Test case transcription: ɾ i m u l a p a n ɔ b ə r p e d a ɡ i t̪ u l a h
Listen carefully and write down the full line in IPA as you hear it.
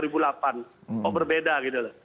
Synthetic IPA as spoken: ɾ i b u l a p a n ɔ b ə r b e d a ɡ i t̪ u l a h